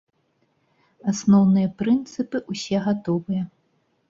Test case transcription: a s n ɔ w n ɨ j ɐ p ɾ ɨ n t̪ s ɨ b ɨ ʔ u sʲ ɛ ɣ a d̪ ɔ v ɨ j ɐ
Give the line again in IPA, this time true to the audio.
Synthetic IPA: a s n ɔ w n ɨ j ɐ p ɾ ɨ n t̪ s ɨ p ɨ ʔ u sʲ ɛ ɣ a t̪ ɔ v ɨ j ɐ